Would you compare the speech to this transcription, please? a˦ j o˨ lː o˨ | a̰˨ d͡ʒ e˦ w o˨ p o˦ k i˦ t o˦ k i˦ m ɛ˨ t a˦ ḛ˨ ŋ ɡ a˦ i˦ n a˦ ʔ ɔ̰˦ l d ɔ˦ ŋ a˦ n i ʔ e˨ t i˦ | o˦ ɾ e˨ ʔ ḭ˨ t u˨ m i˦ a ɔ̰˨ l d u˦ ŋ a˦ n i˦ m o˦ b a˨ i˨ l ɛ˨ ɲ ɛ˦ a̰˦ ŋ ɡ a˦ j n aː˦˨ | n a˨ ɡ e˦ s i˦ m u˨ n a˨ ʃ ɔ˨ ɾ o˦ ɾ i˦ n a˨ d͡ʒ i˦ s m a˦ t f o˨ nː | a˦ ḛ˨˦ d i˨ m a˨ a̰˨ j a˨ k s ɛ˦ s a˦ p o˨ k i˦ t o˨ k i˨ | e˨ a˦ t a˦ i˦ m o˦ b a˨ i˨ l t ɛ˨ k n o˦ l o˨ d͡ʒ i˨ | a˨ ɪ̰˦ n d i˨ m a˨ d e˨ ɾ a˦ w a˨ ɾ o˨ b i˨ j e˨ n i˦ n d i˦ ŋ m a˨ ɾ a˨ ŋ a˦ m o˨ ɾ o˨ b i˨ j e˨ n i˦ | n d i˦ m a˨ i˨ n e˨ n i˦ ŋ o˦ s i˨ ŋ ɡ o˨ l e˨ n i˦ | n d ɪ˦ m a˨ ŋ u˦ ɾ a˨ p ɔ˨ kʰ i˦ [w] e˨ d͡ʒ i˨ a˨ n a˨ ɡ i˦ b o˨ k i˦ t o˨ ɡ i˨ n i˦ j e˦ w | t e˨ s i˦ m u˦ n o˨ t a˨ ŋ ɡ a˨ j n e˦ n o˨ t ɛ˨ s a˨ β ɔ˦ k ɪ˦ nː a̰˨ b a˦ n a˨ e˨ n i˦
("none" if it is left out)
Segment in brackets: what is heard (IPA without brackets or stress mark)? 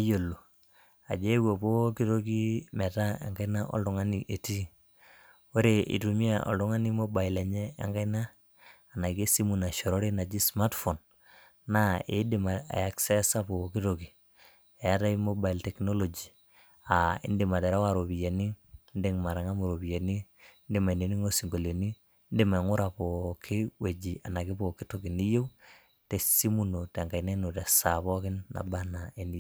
w